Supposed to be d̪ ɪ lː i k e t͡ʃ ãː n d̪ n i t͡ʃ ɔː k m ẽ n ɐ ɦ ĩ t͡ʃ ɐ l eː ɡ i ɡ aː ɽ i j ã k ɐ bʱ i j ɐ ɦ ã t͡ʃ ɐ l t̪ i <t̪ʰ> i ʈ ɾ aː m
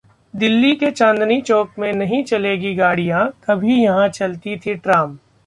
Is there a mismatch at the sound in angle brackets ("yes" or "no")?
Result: no